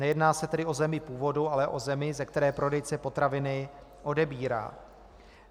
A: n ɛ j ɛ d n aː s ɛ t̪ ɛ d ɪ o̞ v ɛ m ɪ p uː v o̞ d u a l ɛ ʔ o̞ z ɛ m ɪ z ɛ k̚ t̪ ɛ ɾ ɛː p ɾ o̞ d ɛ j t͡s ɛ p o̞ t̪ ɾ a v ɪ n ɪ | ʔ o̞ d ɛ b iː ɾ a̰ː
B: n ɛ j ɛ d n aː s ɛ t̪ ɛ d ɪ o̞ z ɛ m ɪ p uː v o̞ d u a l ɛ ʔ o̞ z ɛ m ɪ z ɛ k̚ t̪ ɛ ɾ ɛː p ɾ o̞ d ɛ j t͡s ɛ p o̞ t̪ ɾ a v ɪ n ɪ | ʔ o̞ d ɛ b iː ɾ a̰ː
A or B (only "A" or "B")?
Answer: B